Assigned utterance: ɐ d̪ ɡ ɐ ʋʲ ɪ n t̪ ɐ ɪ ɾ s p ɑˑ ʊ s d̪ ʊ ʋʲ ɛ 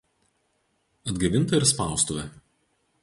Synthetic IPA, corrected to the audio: ɐ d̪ ɡ ɐ ʋʲ ɪ n t̪ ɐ ɪ ɾ s p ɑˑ ʊ s t̪ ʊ ʋʲ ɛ